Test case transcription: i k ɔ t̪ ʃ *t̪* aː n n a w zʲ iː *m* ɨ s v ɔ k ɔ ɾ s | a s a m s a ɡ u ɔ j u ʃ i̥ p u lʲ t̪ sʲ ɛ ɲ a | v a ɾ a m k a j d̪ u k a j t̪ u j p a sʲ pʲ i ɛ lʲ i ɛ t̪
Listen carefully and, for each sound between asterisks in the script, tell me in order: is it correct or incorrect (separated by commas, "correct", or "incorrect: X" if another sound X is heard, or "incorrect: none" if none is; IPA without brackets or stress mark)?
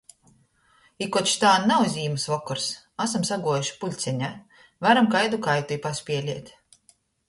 correct, correct